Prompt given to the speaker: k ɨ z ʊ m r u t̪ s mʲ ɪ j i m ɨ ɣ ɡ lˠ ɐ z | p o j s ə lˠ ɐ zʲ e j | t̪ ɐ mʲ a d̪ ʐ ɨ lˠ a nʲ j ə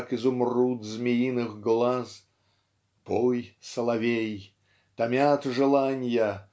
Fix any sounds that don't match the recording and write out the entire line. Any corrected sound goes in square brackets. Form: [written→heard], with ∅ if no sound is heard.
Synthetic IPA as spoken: k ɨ z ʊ m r u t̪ [s→z] mʲ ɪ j i [m→n] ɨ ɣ ɡ lˠ [ɐ→a] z | p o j s ə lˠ ɐ [zʲ→vʲ] e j | t̪ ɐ mʲ a [d̪→t̪] ʐ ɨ lˠ a nʲ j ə